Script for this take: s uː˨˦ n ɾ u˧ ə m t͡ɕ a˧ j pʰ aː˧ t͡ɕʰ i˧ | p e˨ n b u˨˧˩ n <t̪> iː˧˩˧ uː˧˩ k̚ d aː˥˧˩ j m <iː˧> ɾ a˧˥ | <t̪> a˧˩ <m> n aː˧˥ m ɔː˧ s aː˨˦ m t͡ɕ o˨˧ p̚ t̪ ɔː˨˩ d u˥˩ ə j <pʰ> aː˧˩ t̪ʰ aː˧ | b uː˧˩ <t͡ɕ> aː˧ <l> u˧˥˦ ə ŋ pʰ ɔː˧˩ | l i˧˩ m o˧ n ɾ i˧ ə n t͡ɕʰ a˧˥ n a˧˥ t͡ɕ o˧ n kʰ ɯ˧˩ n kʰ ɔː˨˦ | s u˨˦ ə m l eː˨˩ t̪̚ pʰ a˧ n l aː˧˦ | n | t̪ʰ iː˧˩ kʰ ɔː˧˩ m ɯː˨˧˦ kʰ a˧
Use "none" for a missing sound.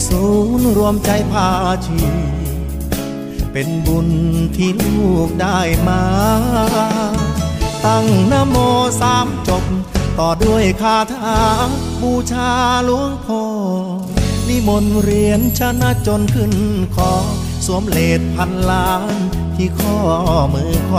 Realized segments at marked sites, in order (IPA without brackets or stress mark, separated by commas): t̪ʰ, aː˧, t̪, ŋ, kʰ, t͡ɕʰ, l